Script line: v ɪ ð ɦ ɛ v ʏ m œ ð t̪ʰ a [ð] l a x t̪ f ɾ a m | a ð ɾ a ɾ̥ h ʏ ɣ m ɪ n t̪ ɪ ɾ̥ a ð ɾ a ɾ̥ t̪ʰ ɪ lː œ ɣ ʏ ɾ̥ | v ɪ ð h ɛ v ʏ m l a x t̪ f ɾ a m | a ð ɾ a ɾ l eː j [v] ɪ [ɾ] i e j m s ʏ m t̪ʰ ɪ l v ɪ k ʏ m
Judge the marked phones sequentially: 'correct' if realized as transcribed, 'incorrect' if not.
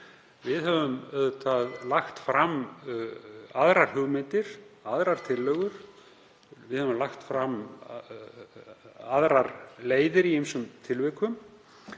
correct, incorrect, correct

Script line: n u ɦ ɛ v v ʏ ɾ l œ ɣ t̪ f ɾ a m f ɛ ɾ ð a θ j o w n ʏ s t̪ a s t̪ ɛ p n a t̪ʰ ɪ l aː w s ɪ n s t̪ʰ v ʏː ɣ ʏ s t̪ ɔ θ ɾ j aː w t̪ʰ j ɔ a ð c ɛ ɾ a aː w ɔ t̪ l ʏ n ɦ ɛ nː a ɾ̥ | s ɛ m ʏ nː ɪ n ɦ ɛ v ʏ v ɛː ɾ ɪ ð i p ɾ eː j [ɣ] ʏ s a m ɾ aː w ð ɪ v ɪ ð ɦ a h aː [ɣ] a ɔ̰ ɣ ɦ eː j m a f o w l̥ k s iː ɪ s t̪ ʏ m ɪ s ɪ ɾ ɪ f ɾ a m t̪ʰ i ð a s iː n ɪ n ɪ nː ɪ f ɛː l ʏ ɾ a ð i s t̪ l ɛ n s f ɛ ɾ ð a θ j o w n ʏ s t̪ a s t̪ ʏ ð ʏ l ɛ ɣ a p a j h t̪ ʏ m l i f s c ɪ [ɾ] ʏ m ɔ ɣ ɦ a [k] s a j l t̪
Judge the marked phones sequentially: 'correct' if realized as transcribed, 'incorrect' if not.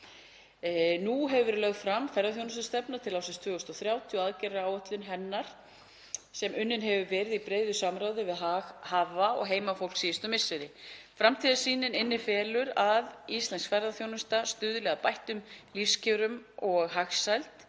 incorrect, incorrect, correct, incorrect

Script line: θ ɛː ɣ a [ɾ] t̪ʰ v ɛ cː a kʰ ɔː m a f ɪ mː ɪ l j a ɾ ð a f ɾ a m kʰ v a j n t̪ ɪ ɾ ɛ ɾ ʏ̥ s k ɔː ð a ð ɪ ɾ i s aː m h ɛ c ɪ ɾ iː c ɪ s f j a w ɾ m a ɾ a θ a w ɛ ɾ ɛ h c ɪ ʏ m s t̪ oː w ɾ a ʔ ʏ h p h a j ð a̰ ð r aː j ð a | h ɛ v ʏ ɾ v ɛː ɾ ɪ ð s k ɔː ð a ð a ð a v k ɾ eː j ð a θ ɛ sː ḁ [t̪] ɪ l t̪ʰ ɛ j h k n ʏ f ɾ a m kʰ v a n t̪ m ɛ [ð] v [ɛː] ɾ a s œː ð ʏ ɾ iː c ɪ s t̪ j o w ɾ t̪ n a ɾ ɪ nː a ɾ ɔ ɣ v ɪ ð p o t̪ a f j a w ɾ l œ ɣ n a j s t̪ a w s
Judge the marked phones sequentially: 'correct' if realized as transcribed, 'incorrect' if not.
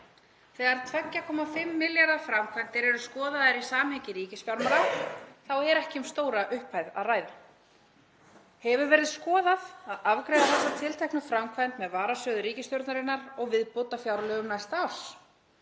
correct, incorrect, correct, incorrect

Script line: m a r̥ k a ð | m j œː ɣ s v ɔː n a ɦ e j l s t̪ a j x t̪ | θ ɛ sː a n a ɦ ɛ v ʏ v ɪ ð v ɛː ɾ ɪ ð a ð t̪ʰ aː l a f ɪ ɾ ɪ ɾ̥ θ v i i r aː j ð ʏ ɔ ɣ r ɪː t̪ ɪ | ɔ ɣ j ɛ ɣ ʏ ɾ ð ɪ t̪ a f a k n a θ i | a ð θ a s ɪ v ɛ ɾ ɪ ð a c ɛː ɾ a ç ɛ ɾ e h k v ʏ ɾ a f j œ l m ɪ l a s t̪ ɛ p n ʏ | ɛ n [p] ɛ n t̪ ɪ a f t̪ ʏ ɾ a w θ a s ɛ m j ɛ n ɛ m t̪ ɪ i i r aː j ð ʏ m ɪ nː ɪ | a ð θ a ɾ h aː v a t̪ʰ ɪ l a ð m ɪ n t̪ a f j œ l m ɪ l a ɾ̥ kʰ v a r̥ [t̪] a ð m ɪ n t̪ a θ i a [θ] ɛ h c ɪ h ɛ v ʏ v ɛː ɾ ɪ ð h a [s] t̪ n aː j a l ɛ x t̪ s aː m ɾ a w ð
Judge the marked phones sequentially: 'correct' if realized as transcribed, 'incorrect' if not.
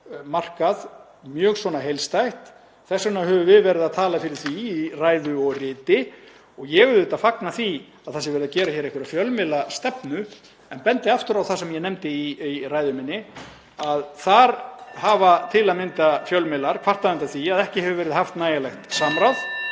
correct, correct, incorrect, incorrect

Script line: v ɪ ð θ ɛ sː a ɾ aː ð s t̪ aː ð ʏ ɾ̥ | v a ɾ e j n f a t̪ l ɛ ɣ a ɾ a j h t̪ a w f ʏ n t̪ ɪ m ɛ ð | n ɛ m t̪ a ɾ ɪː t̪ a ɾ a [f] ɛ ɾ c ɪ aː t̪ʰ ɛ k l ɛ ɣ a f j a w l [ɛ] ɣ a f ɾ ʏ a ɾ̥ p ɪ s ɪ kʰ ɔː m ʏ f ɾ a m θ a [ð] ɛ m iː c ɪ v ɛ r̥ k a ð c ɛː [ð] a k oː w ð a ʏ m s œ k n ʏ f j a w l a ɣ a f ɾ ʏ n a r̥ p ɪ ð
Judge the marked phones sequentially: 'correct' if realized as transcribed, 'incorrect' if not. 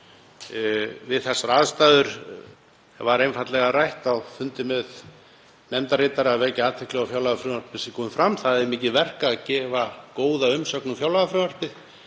incorrect, incorrect, correct, incorrect

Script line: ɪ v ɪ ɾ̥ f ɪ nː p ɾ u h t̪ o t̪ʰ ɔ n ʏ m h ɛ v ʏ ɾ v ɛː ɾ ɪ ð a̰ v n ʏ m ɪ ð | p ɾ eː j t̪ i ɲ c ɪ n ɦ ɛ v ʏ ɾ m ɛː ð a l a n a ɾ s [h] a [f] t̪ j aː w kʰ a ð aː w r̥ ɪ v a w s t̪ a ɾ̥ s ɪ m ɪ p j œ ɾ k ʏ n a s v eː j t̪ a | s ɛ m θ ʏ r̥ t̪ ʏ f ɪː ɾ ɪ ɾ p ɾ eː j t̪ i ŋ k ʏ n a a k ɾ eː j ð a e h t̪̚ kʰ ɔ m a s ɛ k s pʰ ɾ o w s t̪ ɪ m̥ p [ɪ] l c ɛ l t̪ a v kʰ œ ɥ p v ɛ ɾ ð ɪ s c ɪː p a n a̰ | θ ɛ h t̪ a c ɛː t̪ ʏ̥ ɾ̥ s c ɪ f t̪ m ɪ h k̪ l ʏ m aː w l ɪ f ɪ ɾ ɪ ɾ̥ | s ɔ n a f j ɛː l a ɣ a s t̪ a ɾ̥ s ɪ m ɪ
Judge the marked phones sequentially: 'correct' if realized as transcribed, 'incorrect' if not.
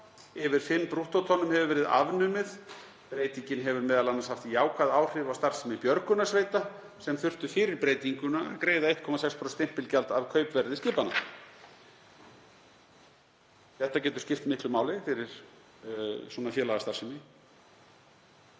correct, correct, correct

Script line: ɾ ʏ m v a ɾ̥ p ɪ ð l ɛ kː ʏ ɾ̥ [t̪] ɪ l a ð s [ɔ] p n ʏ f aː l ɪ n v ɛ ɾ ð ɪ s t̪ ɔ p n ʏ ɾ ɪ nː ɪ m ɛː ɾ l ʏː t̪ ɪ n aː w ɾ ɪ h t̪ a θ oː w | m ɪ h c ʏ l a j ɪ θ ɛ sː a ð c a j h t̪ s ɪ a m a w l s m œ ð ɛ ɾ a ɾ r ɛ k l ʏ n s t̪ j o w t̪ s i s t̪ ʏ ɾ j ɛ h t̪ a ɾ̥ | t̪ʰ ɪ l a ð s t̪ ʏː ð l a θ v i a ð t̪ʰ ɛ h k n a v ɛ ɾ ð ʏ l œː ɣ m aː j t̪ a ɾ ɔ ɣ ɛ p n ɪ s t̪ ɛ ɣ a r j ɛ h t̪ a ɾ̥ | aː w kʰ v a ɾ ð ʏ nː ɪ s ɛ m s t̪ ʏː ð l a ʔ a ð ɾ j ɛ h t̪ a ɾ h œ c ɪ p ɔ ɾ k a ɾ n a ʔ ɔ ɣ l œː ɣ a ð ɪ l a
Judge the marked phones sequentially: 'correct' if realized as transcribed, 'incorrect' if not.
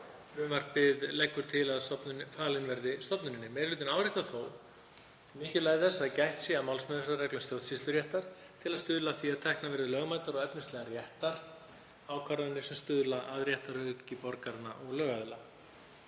incorrect, correct

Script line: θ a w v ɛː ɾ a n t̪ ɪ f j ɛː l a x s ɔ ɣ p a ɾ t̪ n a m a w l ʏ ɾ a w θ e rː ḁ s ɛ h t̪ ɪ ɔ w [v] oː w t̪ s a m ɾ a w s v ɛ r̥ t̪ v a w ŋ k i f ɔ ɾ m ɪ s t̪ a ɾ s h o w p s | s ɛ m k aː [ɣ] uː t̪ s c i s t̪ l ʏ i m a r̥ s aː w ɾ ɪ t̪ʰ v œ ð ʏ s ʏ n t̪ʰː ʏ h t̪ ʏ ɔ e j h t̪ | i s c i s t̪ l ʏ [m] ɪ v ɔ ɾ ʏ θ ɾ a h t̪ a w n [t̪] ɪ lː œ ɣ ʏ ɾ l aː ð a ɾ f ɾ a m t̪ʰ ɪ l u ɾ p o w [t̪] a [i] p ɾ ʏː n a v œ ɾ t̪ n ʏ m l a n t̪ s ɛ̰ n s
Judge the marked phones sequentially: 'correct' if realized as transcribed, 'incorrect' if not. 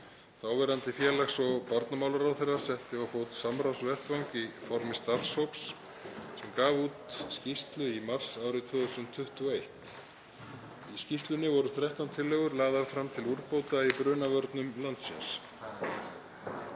incorrect, incorrect, incorrect, incorrect, correct, correct

